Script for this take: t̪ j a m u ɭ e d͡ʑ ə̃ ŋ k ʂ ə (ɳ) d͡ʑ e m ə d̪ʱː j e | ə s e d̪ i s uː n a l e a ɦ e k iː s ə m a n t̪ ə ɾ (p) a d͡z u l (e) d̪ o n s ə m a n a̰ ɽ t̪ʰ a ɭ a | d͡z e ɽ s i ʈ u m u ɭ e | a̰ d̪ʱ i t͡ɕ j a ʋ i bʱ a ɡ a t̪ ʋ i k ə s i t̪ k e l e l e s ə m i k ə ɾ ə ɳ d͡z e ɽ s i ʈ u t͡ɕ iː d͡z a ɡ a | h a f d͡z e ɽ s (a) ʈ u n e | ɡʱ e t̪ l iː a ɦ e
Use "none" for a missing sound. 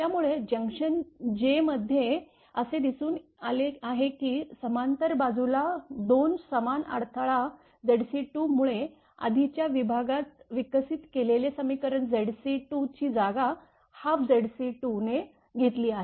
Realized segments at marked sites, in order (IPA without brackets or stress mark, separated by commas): n, b, a, i